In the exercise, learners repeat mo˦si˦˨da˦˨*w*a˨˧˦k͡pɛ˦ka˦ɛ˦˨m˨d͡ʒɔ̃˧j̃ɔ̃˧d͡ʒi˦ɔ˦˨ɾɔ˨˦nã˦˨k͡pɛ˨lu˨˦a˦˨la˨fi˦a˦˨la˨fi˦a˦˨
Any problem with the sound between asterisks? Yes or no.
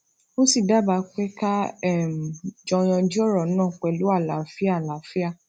yes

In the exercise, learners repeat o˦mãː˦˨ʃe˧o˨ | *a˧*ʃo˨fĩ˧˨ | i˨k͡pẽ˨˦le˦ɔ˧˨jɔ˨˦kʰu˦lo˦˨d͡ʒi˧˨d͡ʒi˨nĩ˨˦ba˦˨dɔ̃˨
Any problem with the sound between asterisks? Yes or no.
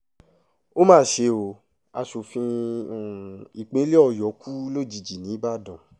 no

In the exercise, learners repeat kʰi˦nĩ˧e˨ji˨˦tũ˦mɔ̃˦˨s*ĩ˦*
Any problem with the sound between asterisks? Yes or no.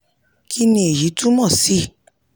yes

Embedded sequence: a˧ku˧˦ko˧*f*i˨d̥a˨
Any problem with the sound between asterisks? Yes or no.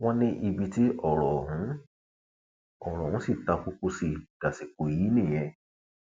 yes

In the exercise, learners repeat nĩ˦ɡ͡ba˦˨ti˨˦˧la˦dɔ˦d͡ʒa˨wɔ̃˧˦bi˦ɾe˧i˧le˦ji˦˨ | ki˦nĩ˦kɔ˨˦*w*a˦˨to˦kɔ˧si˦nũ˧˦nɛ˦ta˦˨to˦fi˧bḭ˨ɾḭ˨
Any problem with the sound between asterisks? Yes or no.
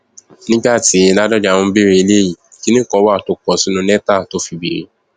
no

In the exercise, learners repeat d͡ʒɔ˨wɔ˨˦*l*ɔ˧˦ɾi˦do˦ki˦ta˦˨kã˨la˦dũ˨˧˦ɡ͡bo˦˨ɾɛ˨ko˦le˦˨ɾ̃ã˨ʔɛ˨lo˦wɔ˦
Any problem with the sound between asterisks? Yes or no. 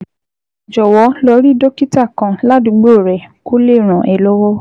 no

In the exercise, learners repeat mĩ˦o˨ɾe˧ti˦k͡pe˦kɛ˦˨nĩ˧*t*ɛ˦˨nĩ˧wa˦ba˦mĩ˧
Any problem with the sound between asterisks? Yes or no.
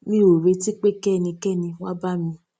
yes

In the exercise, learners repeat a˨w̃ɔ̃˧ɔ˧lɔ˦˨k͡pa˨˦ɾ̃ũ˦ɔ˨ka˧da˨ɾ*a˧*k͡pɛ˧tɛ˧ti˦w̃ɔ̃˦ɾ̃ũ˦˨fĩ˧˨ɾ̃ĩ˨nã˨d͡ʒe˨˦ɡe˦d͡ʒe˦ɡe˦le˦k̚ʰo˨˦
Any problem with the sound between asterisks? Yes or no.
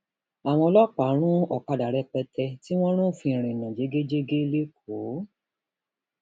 yes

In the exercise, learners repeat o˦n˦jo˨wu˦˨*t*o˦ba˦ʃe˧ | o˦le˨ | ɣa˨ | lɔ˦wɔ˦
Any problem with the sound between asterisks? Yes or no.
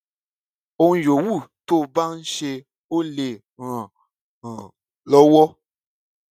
no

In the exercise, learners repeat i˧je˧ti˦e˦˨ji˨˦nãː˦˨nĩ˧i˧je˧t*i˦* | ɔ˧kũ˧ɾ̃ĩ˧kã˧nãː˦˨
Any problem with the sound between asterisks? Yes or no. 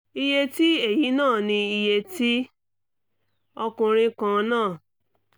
no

